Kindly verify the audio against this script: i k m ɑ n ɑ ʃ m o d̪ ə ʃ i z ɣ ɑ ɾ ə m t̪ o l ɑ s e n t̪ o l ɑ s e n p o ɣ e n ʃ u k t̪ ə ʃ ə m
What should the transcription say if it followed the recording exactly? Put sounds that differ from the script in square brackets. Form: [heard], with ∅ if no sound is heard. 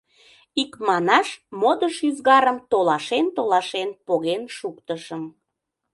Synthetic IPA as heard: i k m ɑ n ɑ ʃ m o d̪ ə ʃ [y] z ɣ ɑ ɾ ə m t̪ o l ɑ [ʃ] e n t̪ o l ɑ [ʃ] e n p o ɣ e n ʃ u k t̪ ə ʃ ə m